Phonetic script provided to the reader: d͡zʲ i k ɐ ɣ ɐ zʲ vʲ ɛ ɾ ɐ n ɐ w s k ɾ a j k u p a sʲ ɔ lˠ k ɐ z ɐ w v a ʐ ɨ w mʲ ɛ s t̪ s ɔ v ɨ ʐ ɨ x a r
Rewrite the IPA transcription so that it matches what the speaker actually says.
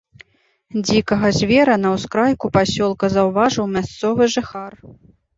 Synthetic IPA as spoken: d͡zʲ i k ɐ ɣ ɐ zʲ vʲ ɛ ɾ ɐ n ɐ w s k ɾ a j k u p a sʲ ɔ lˠ k ɐ z ɐ w v a ʐ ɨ w mʲ a s t̪ s ɔ v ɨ ʐ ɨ x a r